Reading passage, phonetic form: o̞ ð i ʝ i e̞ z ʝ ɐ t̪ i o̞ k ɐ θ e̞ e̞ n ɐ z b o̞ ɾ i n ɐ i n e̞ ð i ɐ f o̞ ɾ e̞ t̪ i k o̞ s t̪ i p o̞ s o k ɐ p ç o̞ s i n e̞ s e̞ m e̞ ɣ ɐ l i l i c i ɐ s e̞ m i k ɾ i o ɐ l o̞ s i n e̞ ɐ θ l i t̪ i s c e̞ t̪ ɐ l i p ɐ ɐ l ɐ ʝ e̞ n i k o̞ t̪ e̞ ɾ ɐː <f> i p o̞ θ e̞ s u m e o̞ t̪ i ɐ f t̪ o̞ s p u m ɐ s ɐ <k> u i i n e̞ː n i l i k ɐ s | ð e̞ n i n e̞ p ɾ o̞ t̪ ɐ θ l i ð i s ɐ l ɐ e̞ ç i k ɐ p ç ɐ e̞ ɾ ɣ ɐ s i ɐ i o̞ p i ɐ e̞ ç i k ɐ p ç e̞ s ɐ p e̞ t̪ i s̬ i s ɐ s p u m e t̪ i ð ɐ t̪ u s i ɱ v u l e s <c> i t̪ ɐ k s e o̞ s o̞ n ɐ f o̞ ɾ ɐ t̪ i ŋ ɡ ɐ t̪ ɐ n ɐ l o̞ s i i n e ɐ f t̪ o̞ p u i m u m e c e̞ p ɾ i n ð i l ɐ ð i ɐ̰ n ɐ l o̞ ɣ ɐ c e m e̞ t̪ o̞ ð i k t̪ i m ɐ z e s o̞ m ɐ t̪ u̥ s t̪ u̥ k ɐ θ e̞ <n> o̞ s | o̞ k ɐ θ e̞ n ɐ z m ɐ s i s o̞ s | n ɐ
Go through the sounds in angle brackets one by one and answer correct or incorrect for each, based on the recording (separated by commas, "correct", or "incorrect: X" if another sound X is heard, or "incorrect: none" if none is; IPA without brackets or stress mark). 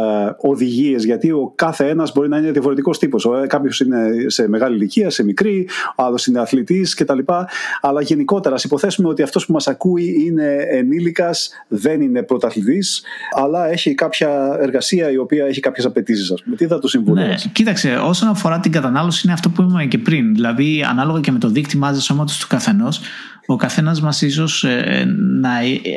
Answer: incorrect: s, correct, correct, correct